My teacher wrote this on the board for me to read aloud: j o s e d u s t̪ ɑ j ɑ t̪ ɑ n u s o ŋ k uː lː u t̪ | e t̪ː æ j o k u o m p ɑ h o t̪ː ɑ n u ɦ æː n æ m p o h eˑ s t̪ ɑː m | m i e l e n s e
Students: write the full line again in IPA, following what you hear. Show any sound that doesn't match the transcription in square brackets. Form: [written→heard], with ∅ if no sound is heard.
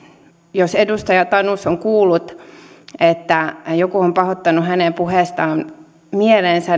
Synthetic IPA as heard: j o s e d u s t̪ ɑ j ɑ t̪ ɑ n u s o ŋ k uː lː u t̪ | e t̪ː æ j o k u o m p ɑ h o t̪ː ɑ n u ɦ [æː→æ] n [æ→e] m p [o→u] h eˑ s t̪ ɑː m | m i e l e n s [e→æ]